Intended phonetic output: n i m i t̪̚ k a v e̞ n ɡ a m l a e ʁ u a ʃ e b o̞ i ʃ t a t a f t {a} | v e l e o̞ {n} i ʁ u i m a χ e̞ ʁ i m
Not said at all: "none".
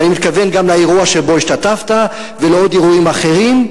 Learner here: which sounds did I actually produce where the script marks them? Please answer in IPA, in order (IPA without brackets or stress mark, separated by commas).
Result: a, d